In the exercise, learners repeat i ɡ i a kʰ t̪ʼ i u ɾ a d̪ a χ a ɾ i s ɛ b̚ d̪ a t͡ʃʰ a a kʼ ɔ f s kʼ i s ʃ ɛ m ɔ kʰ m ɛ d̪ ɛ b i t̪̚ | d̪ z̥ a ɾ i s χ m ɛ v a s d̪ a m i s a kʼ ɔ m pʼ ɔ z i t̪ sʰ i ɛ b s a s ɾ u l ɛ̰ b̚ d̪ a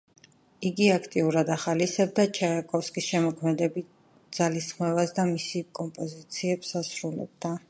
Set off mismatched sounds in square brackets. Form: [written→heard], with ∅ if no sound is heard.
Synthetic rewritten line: i ɡ i a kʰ t̪ʼ i u ɾ a d̪ a χ a [ɾ→l] i s ɛ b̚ d̪ a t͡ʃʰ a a kʼ ɔ f s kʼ i s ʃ ɛ m ɔ kʰ m ɛ d̪ ɛ b i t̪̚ | d̪ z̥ a [ɾ→l] i s χ m ɛ v a s d̪ a m i s [a→i] kʼ ɔ m pʼ ɔ z i t̪ sʰ i ɛ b s a s ɾ u l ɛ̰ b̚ d̪ a